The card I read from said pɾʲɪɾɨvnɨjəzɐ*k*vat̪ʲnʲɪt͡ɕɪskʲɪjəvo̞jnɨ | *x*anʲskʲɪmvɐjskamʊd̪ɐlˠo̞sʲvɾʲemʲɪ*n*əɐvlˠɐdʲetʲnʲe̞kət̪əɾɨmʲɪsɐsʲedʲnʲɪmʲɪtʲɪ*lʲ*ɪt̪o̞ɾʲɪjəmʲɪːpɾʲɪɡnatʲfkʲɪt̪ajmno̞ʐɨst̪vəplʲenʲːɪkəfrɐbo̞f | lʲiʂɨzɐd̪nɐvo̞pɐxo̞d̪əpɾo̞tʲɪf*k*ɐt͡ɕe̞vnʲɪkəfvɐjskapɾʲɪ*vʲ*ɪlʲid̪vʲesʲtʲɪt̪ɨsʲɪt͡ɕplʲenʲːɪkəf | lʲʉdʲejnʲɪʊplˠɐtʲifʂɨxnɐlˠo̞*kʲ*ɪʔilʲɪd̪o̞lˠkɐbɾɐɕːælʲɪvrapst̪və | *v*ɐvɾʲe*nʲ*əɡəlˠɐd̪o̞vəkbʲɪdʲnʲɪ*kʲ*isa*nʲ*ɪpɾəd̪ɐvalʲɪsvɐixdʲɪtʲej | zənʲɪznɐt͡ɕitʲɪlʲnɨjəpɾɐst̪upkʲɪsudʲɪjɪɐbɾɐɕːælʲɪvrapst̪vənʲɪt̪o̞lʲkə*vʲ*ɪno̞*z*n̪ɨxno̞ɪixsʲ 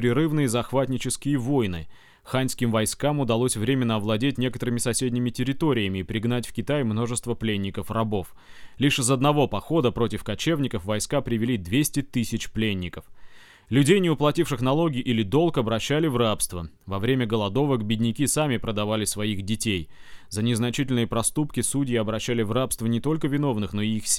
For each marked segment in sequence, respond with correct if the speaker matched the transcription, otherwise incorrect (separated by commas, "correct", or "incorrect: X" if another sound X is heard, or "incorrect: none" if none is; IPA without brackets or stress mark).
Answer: incorrect: x, correct, incorrect: nː, incorrect: ɾʲ, correct, correct, incorrect: ɡʲ, correct, incorrect: mʲ, correct, incorrect: mʲ, correct, incorrect: v